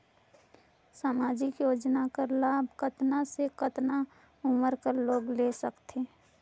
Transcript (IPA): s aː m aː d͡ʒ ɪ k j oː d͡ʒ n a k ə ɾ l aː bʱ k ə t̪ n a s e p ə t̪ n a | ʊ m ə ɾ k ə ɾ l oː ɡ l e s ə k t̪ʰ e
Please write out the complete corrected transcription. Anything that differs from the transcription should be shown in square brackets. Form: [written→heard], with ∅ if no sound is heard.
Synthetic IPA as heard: s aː m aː d͡ʒ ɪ k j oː d͡ʒ n a k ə ɾ l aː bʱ k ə t̪ n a s e [p→k] ə t̪ n a | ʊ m ə ɾ k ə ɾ l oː ɡ l e s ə k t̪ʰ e